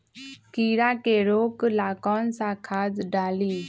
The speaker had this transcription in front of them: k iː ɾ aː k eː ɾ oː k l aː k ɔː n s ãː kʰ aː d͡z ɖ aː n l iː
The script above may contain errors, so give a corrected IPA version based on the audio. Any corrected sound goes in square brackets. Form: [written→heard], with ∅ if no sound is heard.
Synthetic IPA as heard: k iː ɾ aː k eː ɾ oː k l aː k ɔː n s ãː kʰ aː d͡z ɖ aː [n→∅] l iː